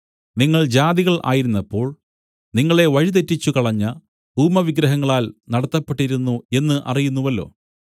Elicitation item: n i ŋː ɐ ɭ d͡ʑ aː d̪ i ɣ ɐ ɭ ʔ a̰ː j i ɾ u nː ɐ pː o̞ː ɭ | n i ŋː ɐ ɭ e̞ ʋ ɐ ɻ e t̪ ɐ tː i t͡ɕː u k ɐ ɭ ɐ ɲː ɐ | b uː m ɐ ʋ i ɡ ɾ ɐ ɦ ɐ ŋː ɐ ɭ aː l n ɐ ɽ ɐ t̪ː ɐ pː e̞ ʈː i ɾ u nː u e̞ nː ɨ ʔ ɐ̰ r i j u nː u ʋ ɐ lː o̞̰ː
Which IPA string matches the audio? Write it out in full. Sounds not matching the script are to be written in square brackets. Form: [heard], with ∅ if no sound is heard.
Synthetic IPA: n i ŋː ɐ ɭ d͡ʑ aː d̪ i ɣ ɐ ɭ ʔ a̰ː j i ɾ u nː ɐ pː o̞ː ɭ | n i ŋː ɐ ɭ e̞ ʋ ɐ ɻ [i] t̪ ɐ tː i t͡ɕː u k ɐ ɭ ɐ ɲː ɐ | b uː m ɐ ʋ i ɡ ɾ ɐ ɦ ɐ ŋː ɐ ɭ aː l n ɐ ɽ ɐ t̪ː ɐ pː e̞ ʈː i ɾ u nː u e̞ nː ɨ ʔ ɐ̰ r i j u nː u ʋ ɐ lː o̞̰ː